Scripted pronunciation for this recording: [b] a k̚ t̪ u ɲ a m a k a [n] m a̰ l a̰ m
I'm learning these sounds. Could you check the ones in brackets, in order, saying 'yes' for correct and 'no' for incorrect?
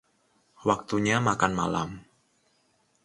no, yes

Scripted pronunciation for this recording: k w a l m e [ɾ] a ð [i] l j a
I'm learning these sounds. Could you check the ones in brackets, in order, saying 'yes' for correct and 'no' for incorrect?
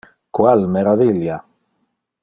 yes, yes

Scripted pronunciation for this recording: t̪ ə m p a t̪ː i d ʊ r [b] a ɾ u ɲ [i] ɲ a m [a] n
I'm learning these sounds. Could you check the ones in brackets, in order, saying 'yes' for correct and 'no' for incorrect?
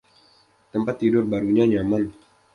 yes, no, yes

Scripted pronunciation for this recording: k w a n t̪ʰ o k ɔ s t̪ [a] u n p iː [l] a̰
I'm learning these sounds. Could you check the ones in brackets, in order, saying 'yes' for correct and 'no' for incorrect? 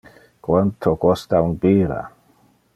yes, no

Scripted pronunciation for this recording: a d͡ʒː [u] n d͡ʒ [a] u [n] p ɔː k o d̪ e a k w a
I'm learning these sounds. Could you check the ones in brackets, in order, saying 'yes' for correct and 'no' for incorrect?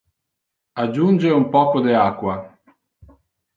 yes, no, no

